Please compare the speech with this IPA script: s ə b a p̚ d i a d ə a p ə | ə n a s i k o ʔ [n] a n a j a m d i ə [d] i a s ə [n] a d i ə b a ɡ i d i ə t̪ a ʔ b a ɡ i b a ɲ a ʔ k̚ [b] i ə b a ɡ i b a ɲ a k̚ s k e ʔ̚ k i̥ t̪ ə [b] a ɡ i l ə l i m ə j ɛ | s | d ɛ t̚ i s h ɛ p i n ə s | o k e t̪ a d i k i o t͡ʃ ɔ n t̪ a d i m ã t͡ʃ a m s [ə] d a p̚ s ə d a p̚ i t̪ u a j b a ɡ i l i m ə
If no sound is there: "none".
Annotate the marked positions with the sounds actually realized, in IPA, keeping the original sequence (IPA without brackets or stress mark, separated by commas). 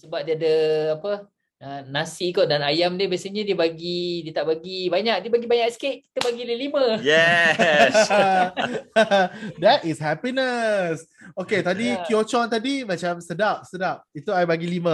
d, b, ɲ, d, b, ə